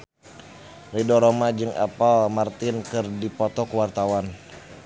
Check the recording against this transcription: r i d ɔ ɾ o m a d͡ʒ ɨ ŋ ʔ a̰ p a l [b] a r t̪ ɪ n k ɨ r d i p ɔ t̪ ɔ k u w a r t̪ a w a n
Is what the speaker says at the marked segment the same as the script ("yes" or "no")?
no